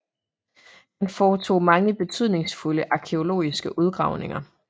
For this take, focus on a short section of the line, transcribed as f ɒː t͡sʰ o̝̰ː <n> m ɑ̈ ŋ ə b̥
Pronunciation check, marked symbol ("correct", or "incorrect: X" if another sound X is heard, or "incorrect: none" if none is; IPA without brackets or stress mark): incorrect: none